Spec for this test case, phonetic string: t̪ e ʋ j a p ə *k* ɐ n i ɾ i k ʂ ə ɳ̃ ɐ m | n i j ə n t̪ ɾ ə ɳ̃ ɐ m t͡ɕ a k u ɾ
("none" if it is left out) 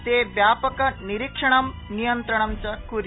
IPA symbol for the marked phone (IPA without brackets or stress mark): k